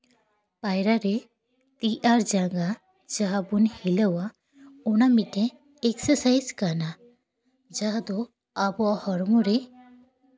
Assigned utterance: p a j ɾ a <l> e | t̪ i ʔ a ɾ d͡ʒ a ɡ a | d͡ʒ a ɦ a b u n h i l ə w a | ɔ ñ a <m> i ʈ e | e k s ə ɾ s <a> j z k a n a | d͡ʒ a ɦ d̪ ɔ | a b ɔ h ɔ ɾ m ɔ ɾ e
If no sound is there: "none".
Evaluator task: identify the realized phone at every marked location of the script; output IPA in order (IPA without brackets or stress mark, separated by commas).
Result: ɾ, m, a